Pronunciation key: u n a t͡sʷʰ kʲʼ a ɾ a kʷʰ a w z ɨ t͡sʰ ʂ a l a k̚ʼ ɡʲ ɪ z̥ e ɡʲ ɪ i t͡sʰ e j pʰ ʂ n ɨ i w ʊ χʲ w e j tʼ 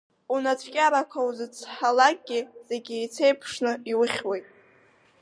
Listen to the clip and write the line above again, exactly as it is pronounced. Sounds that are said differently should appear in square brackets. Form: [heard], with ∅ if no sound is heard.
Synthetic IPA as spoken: u n a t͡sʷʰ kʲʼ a ɾ a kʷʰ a w z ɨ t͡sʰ [ħ] a l a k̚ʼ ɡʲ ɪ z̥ e ɡʲ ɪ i t͡sʰ e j pʰ ʂ n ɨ i w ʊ χʲ w e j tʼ